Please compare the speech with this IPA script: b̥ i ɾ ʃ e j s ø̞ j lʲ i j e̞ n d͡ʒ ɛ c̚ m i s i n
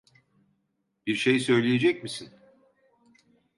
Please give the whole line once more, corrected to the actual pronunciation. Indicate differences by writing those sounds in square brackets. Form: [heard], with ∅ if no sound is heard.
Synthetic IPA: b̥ i ɾ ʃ e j s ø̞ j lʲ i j e̞ [∅] d͡ʒ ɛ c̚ m i s i n